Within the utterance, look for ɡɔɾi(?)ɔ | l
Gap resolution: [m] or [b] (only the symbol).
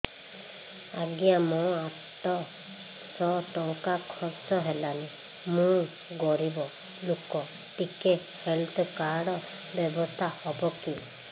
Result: b